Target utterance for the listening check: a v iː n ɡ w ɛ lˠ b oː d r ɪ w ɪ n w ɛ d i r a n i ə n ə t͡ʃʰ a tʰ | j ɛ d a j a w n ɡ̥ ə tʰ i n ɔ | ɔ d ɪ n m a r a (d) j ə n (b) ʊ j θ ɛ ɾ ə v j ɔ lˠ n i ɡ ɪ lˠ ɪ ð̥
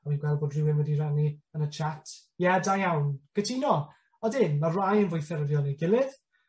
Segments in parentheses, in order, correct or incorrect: incorrect: none, incorrect: v

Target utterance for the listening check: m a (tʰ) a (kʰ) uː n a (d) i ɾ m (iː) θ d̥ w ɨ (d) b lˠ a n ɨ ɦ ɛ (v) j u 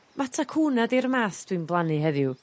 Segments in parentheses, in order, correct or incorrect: correct, correct, correct, incorrect: aː, incorrect: n, incorrect: ð

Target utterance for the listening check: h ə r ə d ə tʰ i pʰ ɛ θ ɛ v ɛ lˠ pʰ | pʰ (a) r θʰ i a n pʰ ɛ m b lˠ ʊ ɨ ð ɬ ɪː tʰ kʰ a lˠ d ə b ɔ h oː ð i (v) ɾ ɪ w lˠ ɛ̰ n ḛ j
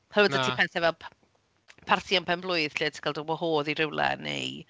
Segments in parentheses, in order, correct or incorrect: correct, incorrect: none

